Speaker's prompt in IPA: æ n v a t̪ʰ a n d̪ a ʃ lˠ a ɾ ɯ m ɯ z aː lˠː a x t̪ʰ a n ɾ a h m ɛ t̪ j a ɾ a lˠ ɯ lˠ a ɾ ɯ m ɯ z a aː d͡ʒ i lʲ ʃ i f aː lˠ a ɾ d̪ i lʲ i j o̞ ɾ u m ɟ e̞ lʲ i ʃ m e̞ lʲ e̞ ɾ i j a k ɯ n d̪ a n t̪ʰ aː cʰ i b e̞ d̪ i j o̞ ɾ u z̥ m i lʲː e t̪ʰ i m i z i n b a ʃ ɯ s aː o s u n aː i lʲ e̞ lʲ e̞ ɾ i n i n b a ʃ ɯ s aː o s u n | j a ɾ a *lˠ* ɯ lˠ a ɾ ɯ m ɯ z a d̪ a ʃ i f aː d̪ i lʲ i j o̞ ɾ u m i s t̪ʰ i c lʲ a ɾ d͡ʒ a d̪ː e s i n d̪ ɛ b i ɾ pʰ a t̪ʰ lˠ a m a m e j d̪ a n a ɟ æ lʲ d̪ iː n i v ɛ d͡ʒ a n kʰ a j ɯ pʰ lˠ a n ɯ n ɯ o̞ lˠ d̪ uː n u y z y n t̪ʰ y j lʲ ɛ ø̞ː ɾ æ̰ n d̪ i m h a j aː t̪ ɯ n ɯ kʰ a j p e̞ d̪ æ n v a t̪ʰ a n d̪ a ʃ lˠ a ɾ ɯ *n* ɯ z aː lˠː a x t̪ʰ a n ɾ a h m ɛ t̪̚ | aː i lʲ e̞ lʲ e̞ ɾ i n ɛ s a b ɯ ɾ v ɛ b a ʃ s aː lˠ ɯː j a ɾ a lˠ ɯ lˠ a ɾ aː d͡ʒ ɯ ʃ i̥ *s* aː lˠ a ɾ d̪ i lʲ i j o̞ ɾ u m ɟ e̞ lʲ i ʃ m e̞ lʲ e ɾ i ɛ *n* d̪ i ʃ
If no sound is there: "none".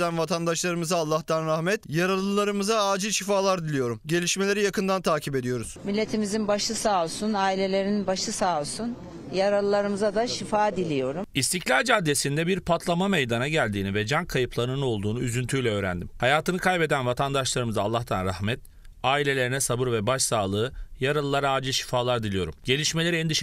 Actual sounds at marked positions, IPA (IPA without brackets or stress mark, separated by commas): lˠ, m, f, n